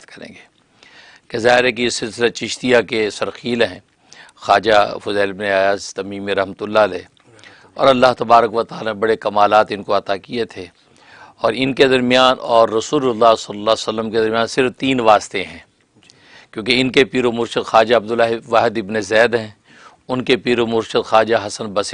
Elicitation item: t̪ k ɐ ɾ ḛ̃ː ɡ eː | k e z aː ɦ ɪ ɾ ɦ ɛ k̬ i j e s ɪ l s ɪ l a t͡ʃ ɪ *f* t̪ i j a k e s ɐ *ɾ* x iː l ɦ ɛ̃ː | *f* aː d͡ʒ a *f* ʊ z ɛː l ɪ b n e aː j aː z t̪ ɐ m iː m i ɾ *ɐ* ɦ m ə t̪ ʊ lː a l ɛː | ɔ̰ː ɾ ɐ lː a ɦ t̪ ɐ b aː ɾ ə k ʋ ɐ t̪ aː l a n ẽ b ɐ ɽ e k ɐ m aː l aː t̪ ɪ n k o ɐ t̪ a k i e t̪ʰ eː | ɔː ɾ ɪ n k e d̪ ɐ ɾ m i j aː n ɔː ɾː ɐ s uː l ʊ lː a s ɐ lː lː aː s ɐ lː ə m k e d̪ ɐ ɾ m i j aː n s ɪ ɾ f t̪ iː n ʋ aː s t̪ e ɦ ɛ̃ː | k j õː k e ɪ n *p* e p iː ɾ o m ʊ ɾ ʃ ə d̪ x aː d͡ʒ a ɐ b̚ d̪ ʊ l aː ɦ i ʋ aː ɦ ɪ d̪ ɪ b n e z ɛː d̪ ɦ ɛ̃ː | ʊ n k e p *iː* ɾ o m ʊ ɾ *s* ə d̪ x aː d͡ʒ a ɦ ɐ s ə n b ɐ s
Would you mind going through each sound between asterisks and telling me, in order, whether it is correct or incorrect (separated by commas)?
incorrect, correct, incorrect, correct, correct, incorrect, correct, incorrect